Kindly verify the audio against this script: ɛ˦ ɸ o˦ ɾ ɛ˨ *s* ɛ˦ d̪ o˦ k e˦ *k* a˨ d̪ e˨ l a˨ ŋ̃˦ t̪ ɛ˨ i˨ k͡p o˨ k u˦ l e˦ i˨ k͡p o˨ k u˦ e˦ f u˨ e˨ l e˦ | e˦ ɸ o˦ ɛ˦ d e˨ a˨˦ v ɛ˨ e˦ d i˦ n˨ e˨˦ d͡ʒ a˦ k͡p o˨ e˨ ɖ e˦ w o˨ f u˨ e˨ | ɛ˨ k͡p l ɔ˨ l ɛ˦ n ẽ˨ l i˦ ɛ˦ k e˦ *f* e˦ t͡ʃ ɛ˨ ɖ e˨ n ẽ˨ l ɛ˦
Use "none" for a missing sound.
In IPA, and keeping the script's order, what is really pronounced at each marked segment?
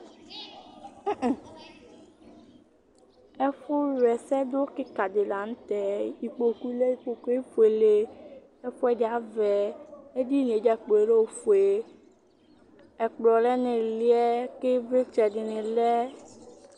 s, k, v

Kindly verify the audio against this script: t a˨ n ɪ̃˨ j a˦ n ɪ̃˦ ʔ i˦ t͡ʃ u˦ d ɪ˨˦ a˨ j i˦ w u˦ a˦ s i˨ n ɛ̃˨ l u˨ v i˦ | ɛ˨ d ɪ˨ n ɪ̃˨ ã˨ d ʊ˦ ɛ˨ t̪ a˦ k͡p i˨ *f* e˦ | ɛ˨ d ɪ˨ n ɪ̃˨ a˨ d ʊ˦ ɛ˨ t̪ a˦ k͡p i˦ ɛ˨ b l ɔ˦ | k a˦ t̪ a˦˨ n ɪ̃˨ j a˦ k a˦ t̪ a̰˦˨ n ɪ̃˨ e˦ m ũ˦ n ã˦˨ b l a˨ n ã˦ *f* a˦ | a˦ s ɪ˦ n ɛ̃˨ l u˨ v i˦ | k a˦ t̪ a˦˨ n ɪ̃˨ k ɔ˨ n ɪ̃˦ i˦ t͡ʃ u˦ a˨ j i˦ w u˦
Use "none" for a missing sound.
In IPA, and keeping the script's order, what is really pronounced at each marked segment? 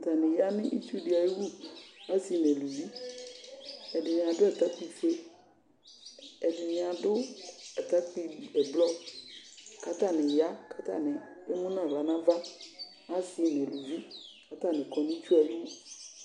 f, v

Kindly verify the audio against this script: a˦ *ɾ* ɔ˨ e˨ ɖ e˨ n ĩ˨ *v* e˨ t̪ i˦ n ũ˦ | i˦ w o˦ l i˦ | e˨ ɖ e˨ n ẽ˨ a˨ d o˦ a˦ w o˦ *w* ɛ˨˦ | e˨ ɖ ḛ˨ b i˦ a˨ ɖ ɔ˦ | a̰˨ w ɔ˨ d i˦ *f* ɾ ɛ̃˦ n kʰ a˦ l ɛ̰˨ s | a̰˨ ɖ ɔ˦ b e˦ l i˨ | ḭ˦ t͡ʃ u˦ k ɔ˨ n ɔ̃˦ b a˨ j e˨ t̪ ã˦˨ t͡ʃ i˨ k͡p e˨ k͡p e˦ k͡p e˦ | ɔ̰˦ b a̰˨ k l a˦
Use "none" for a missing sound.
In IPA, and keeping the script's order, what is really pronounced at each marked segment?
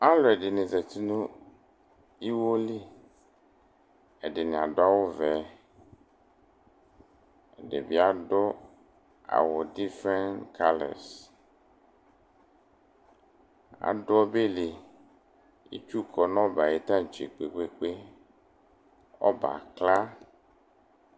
l, z, v, f

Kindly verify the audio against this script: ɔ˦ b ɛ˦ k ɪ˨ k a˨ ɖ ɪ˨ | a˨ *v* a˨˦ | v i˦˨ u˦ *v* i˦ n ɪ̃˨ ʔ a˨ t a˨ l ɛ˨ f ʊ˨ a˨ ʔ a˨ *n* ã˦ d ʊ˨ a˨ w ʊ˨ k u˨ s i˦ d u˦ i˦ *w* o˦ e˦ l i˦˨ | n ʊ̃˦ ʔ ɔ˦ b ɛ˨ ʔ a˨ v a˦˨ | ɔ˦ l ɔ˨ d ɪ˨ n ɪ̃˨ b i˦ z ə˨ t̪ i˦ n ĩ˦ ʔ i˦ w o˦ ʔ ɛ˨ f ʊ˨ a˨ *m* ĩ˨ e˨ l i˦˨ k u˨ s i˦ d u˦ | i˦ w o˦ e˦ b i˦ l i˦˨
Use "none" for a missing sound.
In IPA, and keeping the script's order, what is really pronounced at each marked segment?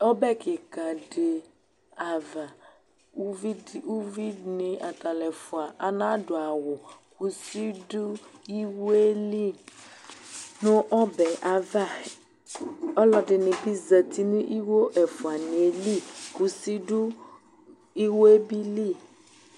v, v, n, w, n

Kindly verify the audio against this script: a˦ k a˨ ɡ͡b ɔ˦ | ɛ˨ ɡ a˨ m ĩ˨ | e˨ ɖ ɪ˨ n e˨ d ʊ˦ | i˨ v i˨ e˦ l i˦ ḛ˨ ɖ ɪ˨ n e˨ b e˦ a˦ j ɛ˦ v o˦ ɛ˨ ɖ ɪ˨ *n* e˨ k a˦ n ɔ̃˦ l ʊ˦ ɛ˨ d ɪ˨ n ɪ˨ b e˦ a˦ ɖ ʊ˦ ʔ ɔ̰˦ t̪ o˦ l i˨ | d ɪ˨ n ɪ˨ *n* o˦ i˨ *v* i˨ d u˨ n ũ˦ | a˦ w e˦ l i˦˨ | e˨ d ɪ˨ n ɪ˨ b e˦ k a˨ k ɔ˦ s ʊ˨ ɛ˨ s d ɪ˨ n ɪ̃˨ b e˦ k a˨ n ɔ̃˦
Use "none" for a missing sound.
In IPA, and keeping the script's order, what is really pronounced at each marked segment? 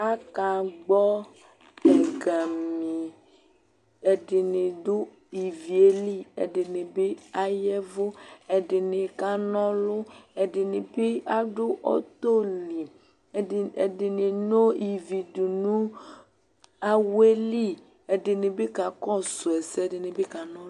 n, n, v

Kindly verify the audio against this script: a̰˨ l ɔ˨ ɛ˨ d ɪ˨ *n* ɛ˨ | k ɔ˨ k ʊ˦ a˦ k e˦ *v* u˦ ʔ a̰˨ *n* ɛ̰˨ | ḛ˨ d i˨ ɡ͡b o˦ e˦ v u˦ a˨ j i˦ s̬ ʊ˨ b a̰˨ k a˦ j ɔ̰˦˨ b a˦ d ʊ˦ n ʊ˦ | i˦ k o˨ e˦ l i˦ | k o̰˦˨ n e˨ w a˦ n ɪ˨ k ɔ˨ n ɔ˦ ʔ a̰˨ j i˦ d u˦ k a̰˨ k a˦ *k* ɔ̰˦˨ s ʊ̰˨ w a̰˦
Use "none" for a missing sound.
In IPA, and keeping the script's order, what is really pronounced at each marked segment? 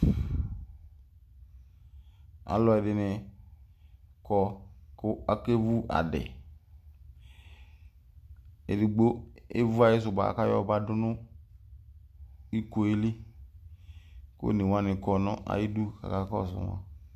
n, v, d, k

